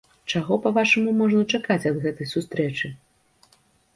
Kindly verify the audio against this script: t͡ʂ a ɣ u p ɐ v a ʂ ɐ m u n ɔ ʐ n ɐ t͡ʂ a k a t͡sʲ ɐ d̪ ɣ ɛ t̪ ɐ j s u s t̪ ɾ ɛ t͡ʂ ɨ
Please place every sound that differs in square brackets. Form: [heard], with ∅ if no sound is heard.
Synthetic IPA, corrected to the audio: t͡ʂ a ɣ [ɔ] p ɐ v a ʂ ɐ m u [m] ɔ ʐ n ɐ t͡ʂ a k a t͡sʲ ɐ d̪ ɣ ɛ t̪ ɐ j s u s t̪ ɾ ɛ t͡ʂ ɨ